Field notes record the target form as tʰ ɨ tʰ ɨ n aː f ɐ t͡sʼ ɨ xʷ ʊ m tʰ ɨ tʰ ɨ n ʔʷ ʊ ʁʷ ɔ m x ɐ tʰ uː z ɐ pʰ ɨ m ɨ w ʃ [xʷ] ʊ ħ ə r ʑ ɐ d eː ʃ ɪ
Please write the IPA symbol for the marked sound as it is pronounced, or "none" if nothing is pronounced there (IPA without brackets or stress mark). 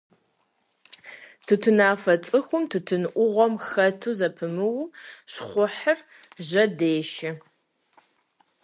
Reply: χʷ